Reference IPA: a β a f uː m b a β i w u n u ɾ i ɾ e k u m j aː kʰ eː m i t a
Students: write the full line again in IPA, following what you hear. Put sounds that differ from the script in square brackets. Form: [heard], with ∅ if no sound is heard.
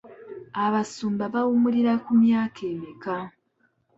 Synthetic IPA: a β a [s] uː m b a β [a] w u [m] u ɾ i ɾ [a] k u m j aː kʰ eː m i [k] a